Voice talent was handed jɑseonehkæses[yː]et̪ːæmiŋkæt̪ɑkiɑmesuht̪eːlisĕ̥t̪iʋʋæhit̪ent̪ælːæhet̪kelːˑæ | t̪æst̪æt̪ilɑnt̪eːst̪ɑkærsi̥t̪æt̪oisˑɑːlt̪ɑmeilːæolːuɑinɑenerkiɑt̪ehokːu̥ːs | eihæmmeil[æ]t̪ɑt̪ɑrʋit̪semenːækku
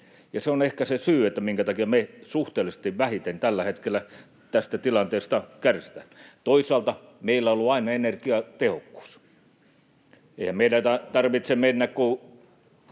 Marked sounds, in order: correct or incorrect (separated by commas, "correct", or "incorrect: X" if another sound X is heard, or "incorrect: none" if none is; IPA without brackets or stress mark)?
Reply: correct, correct